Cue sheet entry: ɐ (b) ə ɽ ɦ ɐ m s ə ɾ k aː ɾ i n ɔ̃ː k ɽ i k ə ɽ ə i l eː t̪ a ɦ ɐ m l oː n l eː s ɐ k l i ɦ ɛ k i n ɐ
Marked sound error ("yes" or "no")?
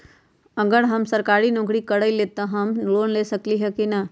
yes